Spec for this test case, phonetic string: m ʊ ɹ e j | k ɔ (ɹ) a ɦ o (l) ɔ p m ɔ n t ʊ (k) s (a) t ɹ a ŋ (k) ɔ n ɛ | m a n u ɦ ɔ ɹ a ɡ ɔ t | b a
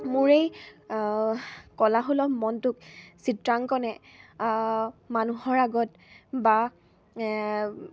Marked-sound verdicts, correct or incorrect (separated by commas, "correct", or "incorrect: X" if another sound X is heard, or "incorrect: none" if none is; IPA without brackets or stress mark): incorrect: l, correct, correct, incorrect: i, correct